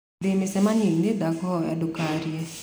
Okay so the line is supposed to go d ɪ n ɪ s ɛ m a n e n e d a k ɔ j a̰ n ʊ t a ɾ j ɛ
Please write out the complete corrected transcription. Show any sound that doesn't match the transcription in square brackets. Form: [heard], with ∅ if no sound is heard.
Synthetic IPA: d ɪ [m] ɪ s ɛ m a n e n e d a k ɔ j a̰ [d] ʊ [k] a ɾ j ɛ